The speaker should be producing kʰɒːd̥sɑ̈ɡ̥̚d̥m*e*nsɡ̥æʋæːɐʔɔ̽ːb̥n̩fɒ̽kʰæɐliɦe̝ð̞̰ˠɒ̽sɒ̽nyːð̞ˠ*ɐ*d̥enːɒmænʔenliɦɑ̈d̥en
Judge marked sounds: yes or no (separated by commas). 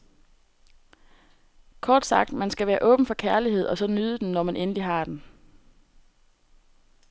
no, no